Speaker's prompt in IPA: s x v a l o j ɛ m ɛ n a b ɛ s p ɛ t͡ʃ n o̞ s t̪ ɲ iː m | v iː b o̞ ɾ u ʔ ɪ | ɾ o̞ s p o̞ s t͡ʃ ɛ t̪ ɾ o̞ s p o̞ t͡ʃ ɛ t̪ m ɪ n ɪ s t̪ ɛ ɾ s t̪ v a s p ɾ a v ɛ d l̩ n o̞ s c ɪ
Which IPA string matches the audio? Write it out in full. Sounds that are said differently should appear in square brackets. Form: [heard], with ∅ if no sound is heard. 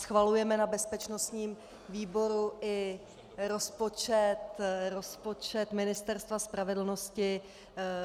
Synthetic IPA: s x v a l [u] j ɛ m ɛ n a b ɛ s p ɛ t͡ʃ n o̞ s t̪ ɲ iː m | v iː b o̞ ɾ u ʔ ɪ | ɾ o̞ s p o̞ [∅] t͡ʃ ɛ t̪ ɾ o̞ s p o̞ t͡ʃ ɛ t̪ m ɪ n ɪ s t̪ ɛ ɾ s t̪ v a s p ɾ a v ɛ d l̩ n o̞ s c ɪ